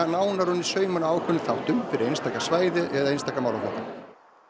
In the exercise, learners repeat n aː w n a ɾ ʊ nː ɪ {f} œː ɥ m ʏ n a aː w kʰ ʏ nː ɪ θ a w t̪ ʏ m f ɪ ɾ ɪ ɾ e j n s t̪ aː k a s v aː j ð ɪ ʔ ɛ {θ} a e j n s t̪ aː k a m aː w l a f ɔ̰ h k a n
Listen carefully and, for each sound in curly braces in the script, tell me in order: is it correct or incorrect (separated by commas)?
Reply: incorrect, incorrect